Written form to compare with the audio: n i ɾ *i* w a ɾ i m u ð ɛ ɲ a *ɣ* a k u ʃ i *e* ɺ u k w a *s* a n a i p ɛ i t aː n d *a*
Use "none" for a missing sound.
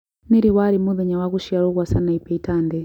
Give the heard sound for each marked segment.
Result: i, w, a, s, ɛ

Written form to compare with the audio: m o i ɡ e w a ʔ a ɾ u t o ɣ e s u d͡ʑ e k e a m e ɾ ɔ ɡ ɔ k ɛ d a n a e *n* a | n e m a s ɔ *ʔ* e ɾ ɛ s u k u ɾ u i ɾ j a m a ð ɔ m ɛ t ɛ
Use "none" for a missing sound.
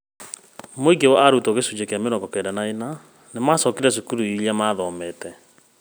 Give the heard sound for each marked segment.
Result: n, k

